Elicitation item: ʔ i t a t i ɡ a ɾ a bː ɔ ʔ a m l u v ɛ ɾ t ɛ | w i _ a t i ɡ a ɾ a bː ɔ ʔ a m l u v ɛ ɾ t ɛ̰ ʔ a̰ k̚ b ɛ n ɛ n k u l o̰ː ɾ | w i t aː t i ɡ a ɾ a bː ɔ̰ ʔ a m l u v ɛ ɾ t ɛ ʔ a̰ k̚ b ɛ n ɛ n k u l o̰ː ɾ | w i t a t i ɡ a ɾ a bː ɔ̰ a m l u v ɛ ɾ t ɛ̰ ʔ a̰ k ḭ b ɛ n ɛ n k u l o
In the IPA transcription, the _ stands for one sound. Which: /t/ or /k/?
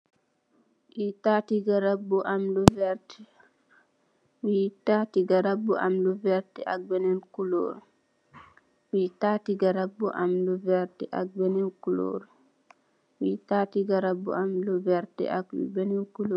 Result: t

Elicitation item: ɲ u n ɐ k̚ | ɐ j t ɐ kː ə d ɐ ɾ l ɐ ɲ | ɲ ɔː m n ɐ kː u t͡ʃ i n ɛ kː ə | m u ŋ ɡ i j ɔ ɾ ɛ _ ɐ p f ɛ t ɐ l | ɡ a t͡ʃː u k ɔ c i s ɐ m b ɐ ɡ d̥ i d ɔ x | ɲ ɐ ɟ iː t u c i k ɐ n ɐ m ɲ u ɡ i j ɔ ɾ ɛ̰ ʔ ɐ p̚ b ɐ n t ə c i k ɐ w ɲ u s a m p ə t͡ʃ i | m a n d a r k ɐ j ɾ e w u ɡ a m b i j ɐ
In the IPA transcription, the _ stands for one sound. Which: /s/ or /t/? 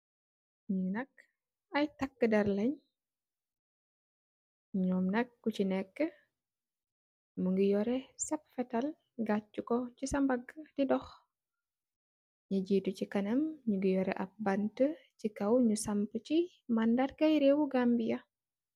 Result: s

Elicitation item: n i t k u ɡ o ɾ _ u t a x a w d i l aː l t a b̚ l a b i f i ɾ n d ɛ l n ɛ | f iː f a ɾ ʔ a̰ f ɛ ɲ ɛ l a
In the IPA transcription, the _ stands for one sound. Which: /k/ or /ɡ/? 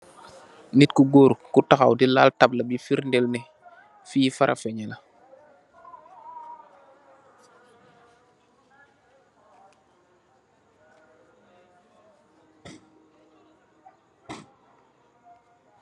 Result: k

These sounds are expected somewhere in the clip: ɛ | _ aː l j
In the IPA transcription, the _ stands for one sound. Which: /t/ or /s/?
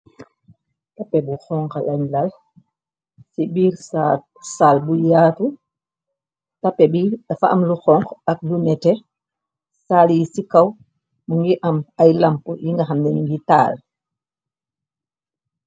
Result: s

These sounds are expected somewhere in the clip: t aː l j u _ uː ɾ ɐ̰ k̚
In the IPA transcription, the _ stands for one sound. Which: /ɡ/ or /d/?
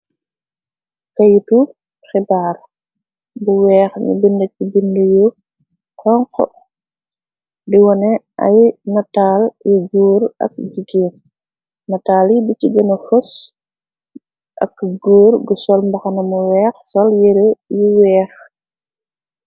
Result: ɡ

